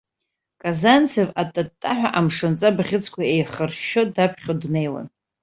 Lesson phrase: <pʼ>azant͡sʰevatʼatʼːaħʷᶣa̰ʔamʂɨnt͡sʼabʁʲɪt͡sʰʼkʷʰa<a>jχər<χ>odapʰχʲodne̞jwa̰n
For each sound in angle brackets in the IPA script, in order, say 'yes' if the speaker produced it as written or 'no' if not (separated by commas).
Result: no, no, no